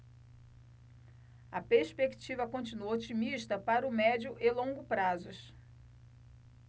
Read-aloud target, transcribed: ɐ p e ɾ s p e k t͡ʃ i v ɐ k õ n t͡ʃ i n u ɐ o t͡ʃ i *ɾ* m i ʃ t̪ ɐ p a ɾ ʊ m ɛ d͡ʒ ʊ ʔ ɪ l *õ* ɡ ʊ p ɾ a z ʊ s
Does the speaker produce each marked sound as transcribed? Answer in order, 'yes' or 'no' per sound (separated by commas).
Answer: no, yes